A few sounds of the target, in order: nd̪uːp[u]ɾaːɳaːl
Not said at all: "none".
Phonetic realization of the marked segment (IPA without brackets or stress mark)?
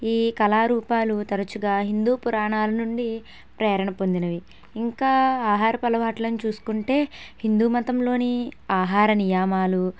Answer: u